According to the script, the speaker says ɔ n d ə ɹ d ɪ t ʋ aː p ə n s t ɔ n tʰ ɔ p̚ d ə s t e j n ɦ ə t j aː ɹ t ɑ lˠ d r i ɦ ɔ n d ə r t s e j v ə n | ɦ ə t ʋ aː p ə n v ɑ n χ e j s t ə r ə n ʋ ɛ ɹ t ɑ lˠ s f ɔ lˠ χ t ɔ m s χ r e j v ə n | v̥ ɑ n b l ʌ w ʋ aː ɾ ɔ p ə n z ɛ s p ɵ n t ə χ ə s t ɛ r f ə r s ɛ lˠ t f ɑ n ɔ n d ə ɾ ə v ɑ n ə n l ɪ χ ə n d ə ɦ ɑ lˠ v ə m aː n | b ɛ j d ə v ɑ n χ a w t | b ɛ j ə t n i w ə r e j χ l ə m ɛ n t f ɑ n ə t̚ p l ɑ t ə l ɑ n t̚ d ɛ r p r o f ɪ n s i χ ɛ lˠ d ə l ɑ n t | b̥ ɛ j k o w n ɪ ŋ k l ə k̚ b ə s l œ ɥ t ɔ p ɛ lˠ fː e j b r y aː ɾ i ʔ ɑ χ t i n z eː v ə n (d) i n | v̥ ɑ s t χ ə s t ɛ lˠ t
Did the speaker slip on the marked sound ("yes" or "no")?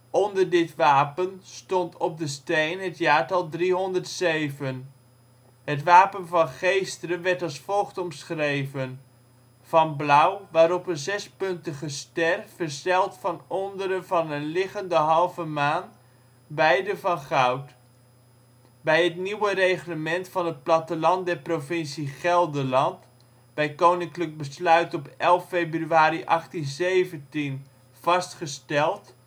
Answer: yes